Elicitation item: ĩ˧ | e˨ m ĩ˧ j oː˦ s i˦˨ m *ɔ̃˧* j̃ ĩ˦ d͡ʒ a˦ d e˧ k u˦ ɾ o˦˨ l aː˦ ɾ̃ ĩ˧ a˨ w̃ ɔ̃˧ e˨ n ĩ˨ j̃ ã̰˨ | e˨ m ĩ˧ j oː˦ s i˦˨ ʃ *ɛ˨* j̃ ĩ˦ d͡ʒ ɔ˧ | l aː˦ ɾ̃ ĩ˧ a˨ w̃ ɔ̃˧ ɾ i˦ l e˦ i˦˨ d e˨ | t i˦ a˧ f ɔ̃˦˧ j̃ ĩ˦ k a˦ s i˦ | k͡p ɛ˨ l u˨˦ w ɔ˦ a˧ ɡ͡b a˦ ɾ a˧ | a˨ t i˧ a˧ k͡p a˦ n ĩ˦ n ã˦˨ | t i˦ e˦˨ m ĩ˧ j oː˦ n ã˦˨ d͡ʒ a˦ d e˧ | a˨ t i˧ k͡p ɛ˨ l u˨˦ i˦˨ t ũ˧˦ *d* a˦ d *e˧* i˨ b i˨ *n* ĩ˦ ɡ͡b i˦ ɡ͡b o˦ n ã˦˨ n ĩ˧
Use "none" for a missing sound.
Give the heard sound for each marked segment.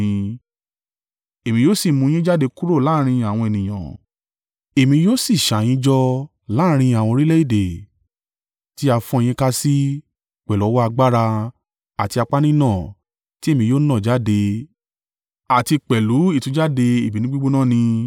ũ˧, a˨, d͡ʒ, e˧, n

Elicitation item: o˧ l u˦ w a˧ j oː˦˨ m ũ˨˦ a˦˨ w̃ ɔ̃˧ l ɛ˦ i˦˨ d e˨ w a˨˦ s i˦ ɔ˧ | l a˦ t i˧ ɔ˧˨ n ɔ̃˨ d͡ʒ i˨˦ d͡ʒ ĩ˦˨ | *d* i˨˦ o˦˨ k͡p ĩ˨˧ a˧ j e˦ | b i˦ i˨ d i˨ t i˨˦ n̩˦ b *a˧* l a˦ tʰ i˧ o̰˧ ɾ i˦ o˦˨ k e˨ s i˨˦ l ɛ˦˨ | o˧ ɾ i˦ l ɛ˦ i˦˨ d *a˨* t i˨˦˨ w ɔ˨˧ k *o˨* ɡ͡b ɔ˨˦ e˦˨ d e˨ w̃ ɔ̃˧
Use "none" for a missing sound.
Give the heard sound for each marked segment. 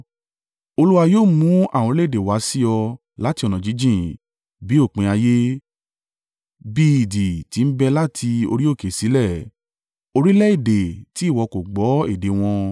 b, ɛ˧, e˨, o˨

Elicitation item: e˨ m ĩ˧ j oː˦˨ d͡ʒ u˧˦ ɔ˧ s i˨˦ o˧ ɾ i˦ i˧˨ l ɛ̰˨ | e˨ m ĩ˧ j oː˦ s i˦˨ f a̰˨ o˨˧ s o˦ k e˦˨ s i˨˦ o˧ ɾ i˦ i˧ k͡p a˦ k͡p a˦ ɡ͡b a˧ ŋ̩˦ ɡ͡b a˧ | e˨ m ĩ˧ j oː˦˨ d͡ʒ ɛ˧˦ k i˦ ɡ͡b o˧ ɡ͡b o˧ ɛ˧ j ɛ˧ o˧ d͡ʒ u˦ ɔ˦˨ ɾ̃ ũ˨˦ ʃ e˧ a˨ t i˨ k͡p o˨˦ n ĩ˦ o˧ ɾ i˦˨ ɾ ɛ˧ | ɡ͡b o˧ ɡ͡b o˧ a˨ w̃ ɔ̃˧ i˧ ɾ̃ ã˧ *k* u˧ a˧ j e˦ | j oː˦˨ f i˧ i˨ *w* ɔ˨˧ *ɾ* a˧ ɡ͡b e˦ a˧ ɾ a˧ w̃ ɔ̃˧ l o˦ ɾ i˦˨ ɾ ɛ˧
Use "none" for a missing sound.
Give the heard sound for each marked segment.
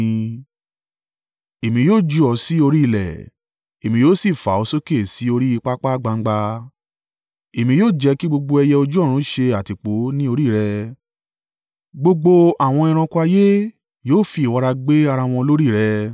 k, w, ɾ

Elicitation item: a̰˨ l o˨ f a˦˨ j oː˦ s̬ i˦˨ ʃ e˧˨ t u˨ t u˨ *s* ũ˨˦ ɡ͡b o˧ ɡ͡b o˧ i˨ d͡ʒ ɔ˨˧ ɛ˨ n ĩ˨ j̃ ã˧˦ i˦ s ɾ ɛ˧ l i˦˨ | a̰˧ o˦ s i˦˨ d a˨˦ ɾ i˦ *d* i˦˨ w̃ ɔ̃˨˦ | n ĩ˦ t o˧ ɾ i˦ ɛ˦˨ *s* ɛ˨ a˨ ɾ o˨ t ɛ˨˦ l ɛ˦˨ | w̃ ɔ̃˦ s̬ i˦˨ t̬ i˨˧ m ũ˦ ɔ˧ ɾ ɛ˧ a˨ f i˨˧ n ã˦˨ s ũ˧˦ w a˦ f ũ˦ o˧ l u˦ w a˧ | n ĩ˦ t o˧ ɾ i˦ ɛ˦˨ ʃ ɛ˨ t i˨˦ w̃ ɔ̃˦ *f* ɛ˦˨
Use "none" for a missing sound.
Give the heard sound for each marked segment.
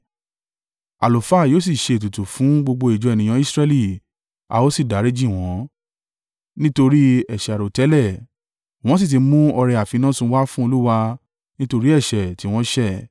f, d͡ʒ, ʃ, ʃ

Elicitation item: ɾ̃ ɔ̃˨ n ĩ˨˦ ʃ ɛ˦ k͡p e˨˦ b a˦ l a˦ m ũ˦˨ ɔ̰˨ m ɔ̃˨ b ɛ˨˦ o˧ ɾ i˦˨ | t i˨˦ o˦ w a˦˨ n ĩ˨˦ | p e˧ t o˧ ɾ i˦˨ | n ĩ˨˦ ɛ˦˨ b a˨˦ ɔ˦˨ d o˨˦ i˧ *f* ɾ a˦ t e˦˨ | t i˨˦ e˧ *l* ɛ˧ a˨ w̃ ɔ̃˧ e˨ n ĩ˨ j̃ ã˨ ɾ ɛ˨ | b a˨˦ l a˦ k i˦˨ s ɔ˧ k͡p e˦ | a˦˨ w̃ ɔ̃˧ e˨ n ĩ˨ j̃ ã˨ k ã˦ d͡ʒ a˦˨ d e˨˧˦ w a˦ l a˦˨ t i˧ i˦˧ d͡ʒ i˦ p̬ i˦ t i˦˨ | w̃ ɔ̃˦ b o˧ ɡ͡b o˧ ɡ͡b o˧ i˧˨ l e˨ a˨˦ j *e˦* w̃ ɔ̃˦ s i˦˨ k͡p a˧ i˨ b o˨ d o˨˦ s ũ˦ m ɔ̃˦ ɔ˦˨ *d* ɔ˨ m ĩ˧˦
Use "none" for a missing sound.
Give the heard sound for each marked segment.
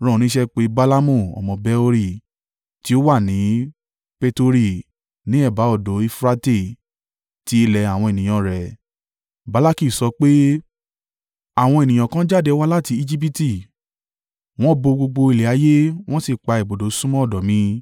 f, l, e˦, d

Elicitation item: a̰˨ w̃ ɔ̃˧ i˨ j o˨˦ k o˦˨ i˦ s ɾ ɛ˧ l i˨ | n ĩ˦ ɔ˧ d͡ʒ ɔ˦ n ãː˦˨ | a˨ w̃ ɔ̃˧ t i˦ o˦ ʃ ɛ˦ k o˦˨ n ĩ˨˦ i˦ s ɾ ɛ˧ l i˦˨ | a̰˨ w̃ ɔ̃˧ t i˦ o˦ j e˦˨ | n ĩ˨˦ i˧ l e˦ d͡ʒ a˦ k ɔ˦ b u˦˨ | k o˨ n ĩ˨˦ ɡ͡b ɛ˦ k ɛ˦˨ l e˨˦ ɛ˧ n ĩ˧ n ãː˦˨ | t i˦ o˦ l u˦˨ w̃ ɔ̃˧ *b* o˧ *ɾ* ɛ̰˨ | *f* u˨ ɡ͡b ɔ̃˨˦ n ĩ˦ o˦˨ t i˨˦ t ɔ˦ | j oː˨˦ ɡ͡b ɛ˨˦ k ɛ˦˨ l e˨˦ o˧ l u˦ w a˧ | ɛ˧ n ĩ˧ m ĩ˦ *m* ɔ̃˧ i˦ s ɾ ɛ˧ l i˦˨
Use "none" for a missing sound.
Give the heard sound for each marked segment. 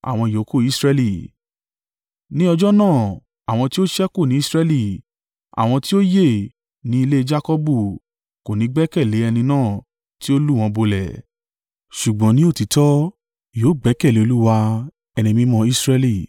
b, l, ʃ, m

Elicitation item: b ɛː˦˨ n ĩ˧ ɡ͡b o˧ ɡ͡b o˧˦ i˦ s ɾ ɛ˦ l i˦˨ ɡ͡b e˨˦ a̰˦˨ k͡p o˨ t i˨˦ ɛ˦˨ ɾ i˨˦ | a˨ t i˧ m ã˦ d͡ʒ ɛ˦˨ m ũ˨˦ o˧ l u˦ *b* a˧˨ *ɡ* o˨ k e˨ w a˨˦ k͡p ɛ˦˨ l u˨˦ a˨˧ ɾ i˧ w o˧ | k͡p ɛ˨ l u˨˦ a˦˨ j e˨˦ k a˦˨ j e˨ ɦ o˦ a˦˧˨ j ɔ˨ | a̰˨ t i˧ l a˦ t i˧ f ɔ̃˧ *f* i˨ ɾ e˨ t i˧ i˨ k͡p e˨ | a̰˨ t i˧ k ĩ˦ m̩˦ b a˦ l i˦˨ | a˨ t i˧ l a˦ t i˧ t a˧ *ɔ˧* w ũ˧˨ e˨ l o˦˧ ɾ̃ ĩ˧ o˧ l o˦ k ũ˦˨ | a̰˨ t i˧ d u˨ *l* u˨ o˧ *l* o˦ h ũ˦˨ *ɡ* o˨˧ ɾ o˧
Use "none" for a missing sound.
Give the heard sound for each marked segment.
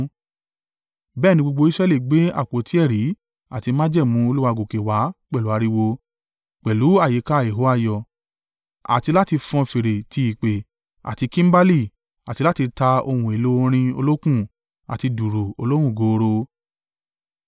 w, ɡ, f, o˧, ɾ, l, ɡ

